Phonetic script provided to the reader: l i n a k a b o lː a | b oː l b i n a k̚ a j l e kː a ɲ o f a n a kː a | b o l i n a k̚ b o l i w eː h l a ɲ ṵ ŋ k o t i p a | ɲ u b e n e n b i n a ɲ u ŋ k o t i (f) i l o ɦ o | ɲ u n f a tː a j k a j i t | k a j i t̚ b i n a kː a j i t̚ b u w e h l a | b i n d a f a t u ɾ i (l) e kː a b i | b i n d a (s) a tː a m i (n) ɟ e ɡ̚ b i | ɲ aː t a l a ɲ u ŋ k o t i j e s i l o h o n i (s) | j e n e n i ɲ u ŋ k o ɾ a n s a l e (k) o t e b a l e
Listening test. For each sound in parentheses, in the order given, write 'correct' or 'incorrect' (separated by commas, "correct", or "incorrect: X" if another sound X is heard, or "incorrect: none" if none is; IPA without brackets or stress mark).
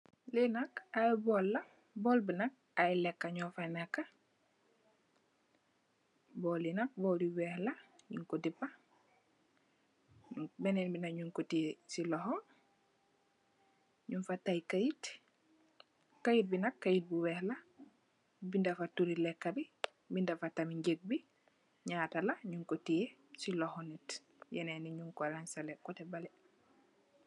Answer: incorrect: s, correct, incorrect: f, incorrect: ɲ, incorrect: t, correct